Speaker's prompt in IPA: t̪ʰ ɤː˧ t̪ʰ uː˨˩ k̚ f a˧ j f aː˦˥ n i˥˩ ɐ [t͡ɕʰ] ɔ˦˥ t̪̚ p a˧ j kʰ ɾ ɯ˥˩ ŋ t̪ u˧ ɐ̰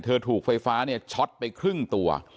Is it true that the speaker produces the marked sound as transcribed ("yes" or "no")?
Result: yes